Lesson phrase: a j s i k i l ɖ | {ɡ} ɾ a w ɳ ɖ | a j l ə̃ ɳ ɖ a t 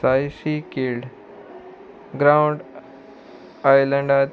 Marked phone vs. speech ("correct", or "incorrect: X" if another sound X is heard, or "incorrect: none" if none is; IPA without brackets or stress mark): correct